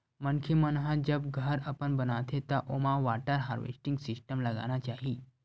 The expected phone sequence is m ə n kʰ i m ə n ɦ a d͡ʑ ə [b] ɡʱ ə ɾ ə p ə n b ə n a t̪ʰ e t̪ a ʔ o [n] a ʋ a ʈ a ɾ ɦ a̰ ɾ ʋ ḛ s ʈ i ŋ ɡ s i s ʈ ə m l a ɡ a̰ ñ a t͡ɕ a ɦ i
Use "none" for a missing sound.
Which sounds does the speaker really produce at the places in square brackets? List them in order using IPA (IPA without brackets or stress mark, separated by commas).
b, m